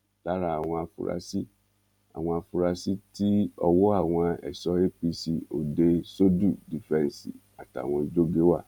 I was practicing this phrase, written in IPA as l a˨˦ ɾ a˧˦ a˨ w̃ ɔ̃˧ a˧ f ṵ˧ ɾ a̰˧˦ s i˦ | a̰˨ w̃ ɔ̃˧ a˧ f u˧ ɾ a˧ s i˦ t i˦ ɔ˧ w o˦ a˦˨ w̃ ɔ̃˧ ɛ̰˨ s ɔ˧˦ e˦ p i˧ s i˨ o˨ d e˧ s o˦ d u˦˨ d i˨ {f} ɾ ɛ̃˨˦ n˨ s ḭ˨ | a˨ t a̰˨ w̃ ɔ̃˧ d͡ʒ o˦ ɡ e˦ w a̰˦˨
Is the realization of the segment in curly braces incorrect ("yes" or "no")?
no